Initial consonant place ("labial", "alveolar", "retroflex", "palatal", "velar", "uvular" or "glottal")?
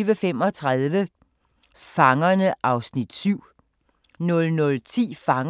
labial